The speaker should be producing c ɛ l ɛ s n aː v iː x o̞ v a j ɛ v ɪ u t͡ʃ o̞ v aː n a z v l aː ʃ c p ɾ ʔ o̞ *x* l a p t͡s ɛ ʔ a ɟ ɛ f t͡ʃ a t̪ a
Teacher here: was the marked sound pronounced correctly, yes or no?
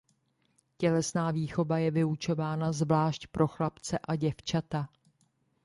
yes